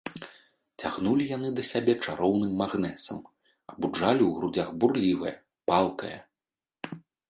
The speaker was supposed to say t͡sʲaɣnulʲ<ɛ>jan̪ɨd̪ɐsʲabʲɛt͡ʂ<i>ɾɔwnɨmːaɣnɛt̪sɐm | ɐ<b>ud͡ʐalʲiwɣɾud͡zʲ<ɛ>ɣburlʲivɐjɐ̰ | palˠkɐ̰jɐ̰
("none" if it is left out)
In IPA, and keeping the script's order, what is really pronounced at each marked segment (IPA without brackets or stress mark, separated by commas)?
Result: i, a, b, a